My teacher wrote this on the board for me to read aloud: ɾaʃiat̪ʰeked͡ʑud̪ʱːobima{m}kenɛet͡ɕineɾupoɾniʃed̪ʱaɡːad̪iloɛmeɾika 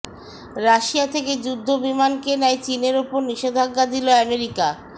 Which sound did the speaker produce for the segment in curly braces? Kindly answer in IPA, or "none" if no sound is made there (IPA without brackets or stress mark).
n